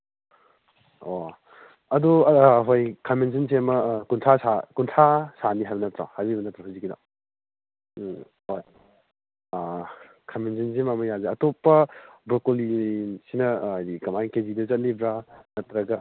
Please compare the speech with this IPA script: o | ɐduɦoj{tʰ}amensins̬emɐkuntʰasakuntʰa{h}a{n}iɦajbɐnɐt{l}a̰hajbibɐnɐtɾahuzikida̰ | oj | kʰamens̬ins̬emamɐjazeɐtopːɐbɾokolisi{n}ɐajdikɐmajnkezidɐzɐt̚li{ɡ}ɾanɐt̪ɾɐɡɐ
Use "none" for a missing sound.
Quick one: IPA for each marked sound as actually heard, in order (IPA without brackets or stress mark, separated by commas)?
kʰ, s, n, ɾ, n, b